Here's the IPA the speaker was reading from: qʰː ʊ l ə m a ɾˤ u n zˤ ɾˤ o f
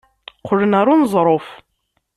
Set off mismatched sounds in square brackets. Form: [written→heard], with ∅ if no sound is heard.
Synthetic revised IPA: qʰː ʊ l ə [m→n] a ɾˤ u n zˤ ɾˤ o f